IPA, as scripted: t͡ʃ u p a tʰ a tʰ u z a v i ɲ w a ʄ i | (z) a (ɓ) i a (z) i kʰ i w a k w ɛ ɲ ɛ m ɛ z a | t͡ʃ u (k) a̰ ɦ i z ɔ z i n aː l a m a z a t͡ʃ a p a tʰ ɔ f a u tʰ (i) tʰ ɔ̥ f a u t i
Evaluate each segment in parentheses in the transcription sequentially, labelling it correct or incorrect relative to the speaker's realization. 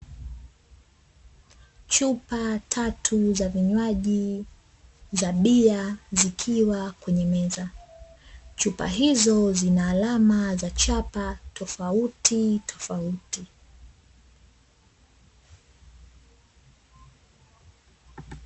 correct, correct, correct, incorrect, correct

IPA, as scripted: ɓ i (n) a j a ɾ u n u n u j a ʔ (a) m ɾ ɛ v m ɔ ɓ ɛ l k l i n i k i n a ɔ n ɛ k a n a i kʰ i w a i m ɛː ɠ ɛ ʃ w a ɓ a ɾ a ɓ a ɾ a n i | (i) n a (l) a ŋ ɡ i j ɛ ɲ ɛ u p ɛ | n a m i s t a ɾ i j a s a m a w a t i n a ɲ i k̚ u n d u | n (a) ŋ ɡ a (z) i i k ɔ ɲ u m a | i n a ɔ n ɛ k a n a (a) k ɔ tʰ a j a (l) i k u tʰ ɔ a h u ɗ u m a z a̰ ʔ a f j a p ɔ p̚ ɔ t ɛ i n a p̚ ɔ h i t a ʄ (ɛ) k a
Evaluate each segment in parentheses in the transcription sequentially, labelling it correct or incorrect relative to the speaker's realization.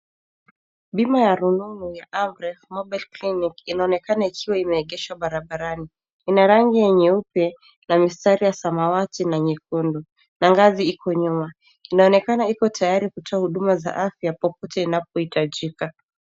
incorrect, correct, correct, incorrect, correct, correct, incorrect, incorrect, incorrect

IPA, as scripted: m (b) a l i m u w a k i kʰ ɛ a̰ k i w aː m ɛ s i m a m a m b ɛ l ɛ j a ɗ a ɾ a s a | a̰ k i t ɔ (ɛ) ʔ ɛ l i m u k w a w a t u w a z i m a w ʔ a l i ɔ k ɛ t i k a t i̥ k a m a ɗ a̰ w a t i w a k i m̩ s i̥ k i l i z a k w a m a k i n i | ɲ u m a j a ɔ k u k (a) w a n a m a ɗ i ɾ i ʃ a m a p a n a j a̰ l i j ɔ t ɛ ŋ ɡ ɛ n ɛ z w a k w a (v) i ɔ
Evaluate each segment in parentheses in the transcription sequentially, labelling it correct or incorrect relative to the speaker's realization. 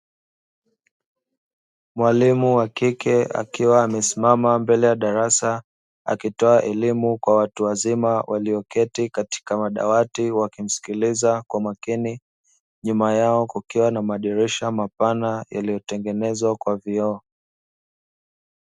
incorrect, incorrect, incorrect, correct

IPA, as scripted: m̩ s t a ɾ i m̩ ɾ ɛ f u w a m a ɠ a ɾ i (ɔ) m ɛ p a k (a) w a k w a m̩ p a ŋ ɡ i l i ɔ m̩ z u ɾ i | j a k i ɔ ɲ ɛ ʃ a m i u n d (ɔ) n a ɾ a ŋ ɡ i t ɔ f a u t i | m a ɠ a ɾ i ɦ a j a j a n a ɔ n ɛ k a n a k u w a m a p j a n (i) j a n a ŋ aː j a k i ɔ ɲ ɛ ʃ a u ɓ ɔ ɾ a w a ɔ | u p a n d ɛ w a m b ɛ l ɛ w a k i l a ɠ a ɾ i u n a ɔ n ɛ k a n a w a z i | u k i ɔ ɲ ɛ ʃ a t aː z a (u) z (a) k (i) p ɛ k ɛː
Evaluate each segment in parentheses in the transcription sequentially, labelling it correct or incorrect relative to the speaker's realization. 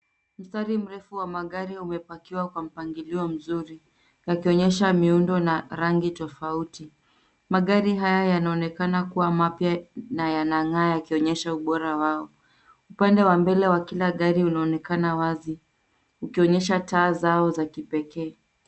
incorrect, incorrect, correct, incorrect, incorrect, correct, correct

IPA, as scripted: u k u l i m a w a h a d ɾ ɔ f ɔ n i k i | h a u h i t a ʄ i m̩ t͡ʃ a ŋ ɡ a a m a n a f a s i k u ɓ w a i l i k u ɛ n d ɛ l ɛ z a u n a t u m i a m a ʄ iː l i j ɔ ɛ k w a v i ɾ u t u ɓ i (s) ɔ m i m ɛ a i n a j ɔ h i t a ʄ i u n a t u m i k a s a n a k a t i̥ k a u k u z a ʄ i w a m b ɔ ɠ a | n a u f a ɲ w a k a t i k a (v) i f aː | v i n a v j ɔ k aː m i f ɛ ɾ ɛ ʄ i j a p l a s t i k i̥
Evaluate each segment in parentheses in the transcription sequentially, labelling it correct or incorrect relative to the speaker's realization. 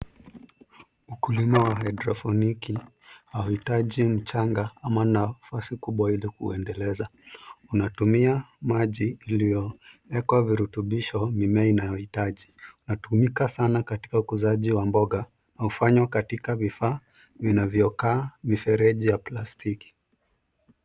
incorrect, correct

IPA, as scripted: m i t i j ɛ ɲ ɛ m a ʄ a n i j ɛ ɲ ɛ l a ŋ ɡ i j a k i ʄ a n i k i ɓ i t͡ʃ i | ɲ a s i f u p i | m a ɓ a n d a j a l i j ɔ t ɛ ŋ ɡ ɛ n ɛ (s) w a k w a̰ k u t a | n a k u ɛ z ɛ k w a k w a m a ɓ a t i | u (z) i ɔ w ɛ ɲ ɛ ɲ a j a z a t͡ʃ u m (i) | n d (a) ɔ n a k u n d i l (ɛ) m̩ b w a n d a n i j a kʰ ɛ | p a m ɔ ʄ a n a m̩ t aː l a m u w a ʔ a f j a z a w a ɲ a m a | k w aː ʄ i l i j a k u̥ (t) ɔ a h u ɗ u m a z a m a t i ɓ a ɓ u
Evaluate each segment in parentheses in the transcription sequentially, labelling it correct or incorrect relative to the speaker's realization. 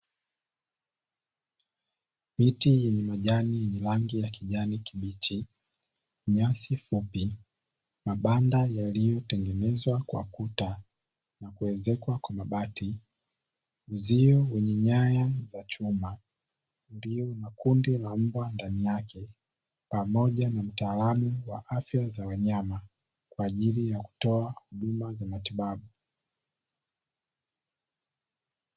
incorrect, correct, incorrect, incorrect, incorrect, correct

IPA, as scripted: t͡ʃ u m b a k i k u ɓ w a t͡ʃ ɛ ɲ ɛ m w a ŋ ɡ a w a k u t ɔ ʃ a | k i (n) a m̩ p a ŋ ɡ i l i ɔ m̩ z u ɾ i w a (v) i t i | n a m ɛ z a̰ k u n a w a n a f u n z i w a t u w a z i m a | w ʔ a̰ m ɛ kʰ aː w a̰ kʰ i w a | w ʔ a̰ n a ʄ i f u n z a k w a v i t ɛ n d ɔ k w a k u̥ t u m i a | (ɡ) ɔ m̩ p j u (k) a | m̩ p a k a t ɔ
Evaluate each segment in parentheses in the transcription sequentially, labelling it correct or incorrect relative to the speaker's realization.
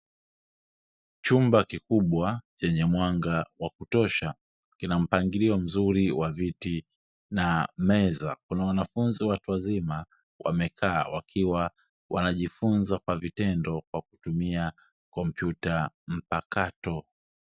correct, correct, incorrect, incorrect

